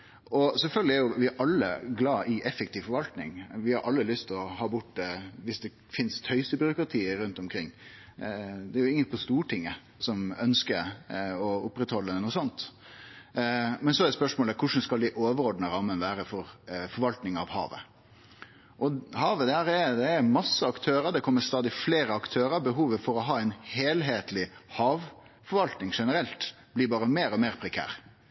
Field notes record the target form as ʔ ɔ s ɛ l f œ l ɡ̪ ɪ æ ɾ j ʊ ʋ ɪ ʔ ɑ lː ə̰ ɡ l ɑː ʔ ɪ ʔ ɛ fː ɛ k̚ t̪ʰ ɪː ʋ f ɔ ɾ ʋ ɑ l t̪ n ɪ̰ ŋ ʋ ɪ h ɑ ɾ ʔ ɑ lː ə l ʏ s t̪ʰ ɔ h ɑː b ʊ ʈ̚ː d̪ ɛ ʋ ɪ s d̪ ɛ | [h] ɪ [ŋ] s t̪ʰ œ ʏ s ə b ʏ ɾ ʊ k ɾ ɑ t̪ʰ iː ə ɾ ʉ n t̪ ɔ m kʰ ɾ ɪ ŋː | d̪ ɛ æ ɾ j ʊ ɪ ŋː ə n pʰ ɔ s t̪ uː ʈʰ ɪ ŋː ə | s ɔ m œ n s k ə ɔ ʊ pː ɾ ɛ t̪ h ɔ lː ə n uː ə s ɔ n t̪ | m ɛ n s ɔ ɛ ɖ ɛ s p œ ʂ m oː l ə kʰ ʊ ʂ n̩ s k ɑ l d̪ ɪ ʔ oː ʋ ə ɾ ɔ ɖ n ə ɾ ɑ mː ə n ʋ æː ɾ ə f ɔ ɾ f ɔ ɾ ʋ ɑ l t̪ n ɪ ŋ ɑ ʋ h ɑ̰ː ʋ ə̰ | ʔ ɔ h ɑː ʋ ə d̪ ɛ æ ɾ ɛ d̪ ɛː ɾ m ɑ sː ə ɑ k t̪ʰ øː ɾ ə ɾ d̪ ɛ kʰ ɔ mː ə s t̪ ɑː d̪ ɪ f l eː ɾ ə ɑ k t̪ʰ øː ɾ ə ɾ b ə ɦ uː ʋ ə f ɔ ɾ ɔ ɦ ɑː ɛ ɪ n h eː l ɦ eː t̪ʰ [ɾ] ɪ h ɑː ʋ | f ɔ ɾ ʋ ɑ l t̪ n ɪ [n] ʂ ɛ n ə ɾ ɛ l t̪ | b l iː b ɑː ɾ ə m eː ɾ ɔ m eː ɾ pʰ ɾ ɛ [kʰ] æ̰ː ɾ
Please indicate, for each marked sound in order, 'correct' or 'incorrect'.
incorrect: f, incorrect: n, incorrect: l, incorrect: ŋ, correct

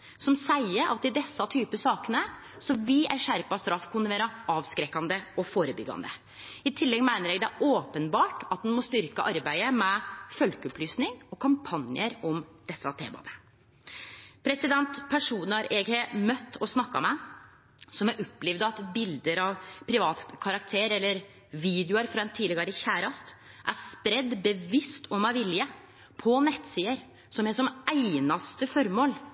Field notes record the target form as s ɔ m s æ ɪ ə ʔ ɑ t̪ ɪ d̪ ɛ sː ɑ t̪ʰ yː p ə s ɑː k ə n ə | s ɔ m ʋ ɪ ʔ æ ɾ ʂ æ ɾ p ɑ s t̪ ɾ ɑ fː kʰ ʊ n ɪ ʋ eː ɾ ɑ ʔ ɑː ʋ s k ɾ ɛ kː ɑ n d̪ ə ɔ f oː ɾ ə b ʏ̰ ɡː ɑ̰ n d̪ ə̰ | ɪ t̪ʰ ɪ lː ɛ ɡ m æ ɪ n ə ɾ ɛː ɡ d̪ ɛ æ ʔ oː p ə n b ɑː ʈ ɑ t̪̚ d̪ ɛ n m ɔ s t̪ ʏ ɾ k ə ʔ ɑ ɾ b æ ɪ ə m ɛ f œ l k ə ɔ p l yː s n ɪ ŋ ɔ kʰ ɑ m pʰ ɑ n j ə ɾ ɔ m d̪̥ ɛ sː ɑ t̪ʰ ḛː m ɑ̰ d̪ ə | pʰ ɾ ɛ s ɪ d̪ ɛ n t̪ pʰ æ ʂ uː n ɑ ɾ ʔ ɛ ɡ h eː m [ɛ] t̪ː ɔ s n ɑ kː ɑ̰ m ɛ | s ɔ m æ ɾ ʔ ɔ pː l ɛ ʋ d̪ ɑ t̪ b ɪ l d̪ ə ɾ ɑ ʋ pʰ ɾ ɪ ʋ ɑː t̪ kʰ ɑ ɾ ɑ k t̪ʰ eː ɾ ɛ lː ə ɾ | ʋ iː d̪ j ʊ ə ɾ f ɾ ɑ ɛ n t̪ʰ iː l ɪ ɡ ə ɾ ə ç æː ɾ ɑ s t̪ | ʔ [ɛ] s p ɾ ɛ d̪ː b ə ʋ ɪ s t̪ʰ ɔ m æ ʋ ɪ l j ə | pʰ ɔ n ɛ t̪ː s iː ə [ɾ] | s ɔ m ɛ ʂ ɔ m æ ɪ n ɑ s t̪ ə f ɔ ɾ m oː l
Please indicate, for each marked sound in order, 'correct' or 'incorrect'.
incorrect: œ, incorrect: æ, correct

